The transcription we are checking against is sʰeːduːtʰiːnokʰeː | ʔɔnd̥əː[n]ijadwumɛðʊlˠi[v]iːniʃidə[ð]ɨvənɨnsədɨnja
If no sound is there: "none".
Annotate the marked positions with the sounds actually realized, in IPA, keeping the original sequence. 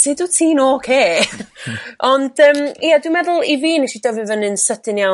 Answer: m, v, v

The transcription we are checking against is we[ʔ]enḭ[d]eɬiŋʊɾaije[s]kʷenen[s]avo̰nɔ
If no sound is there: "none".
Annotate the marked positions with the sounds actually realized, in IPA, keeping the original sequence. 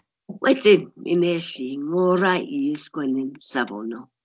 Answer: t, n, s, s

